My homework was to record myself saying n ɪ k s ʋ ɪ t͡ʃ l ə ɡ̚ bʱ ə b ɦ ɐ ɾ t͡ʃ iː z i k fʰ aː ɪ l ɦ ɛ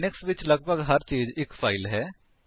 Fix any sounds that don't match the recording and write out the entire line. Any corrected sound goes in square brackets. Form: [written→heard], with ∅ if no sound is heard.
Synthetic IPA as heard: n ɪ k s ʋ ɪ t͡ʃ l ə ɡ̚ bʱ ə [b→ɡ] ɦ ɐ ɾ t͡ʃ iː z [i→ɪ] k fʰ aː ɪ l ɦ [ɛ→ɛː]